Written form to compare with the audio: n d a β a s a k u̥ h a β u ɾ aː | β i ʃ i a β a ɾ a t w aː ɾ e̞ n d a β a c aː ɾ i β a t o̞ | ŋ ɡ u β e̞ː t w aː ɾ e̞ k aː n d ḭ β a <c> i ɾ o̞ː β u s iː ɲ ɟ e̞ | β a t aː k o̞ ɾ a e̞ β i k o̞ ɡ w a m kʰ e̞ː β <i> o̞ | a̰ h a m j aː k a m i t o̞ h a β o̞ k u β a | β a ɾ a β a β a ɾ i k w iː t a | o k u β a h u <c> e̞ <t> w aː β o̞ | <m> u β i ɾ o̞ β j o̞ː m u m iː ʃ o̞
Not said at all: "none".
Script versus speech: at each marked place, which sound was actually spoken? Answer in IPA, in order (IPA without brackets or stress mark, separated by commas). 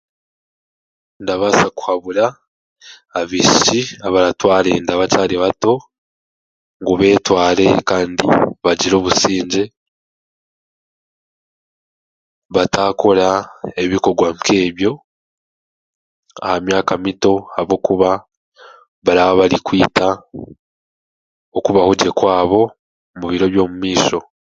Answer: ɟ, j, ɟ, k, m